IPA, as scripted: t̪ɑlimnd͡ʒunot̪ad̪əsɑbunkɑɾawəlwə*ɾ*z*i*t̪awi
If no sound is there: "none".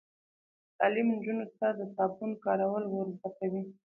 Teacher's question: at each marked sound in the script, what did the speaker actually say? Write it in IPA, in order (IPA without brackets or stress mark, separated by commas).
ɾ, a